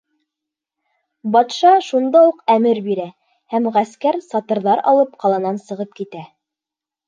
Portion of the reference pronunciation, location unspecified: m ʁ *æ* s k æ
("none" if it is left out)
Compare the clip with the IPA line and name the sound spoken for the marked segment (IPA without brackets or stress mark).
æ